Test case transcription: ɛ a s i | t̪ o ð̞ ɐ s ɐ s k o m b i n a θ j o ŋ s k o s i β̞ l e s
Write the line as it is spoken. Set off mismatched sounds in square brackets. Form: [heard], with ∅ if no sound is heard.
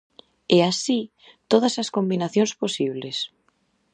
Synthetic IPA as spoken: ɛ a s i | t̪ o ð̞ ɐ s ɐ s k o m b i n a θ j o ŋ s [p] o s i β̞ l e s